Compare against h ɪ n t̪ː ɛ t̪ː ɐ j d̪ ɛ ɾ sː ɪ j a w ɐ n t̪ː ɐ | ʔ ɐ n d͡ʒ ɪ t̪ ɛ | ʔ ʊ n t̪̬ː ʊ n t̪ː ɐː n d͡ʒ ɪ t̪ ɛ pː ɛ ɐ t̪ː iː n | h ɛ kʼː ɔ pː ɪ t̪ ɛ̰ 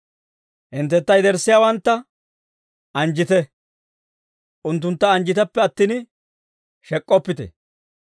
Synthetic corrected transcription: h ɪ n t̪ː ɛ t̪ː ɐ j d̪ ɛ ɾ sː ɪ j a w ɐ n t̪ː ɐ | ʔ ɐ n d͡ʒ ɪ t̪ ɛ | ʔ ʊ n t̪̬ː ʊ n t̪ː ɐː n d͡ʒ ɪ t̪ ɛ pː ɛ ɐ t̪ː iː n | ʃ ɛ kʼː ɔ pː ɪ t̪ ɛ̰